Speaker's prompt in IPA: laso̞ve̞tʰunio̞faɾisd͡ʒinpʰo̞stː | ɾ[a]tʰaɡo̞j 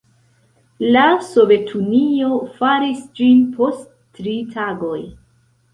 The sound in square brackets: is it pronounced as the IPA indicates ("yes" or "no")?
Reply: no